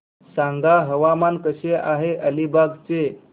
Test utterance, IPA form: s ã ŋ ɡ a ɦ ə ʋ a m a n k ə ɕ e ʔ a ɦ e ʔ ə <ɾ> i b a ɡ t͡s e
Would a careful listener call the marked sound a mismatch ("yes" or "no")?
yes